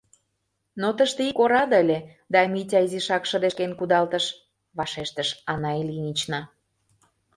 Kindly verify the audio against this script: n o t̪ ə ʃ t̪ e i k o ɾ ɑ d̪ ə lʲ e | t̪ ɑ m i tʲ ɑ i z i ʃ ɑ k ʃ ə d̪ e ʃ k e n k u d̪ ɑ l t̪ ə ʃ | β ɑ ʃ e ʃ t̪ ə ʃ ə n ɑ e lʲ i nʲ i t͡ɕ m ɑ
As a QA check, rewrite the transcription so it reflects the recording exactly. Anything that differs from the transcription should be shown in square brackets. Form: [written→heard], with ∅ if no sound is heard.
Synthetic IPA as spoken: n o t̪ ə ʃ t̪ e i k o ɾ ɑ d̪ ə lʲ e | [t̪→d̪] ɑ m i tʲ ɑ i z i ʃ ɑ k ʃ ə d̪ e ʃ k e n k u d̪ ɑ l t̪ ə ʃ | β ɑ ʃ e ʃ t̪ ə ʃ [ə→ɑ] n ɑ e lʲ i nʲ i t͡ɕ [m→n] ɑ